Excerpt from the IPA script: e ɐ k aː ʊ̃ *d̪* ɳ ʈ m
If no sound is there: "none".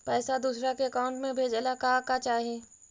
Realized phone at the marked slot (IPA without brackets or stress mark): none